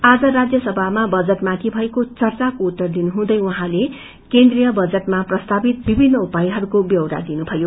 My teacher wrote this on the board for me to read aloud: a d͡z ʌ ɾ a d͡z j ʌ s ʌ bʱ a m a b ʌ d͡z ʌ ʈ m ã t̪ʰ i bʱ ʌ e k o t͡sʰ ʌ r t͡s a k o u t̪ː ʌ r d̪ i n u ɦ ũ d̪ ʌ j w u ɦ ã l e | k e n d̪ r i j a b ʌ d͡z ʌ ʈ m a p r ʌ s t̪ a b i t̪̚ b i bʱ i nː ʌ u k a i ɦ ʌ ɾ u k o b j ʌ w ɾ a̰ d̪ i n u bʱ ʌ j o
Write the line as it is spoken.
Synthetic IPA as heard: a d͡z ʌ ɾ a d͡z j ʌ s ʌ bʱ a m a b ʌ d͡z ʌ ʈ m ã t̪ʰ i bʱ ʌ e k o t͡s ʌ r t͡s a k o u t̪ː ʌ r d̪ i n u ɦ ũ d̪ ʌ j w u ɦ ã l e | k e n d̪ r i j ʌ b ʌ d͡z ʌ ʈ m a p r ʌ s t̪ a b i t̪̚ b i bʱ i nː ʌ u p a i ɦ ʌ ɾ u k o b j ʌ w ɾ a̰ d̪ i n u bʱ ʌ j o